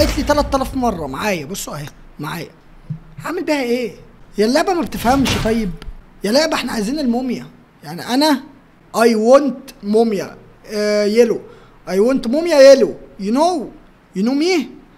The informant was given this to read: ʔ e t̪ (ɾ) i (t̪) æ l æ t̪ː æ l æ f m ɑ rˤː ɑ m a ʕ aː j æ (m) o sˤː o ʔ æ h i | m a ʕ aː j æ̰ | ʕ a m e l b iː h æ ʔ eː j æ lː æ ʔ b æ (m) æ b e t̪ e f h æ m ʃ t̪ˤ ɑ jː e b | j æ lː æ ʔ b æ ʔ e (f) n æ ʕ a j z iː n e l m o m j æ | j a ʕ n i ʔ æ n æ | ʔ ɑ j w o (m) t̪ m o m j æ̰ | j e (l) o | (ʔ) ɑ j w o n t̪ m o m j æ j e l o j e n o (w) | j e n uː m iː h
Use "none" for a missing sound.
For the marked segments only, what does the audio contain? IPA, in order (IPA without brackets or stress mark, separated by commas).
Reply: l, t̪, b, m, ħ, n, l, ʔ, w